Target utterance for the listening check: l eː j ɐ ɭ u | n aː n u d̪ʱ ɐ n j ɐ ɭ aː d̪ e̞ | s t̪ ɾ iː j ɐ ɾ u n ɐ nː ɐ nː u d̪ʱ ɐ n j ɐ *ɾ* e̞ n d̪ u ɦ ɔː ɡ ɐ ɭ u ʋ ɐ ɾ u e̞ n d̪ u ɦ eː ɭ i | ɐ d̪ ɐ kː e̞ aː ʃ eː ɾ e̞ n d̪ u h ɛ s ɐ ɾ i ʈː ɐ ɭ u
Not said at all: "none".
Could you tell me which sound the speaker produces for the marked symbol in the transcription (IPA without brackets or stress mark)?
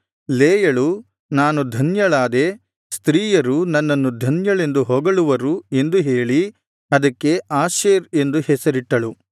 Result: ɭ